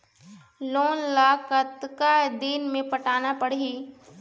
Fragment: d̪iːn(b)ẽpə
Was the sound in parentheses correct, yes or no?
no